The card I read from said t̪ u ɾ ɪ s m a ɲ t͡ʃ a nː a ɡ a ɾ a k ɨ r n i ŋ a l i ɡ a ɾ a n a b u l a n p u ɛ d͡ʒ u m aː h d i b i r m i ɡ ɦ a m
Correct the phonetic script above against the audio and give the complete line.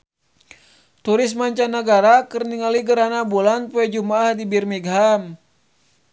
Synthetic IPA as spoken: t̪ u ɾ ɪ s m a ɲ t͡ʃ a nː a ɡ a ɾ a k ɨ r n i ŋ a l i ɡ ə ɾ a n a b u l a n p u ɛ d͡ʒ u m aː h d i b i r m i ɡ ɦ a m